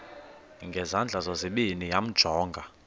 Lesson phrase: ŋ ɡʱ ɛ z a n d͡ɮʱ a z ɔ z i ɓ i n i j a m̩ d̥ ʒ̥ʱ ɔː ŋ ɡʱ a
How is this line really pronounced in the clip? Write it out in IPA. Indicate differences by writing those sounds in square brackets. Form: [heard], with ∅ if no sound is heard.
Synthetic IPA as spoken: ŋ ɡʱ ɛ z a n d͡ɮʱ a z ɔ z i ɓ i n i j a m̩ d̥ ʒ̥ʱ ɔː ŋ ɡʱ a